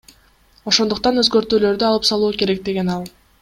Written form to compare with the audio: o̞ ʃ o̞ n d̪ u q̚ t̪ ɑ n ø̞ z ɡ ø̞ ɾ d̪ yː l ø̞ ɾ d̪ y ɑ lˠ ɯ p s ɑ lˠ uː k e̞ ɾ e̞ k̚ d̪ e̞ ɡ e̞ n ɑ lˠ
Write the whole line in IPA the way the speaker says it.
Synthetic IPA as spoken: o̞ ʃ o̞ n d̪ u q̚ t̪ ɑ n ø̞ z ɡ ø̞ ɾ t̪ yː l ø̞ ɾ d̪ y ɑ lˠ ɯ p s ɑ lˠ uː k e̞ ɾ e̞ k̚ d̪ e̞ ɡ e̞ n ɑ lˠ

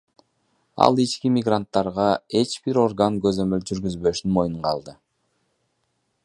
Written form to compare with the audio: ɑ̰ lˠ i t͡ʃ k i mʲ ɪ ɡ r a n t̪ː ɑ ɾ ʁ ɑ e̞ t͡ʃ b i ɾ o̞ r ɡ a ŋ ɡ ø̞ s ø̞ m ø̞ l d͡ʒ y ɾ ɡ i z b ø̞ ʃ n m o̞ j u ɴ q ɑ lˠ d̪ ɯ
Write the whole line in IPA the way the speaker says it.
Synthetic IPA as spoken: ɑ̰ lˠ i t͡ʃ k i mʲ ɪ ɡ r a n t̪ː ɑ ɾ ʁ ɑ e̞ t͡ʃ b i ɾ o̞ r ɡ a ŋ ɡ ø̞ z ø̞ m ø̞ l d͡ʒ y ɾ ɡ y z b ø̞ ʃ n m o̞ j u ɴ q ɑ lˠ d̪ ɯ

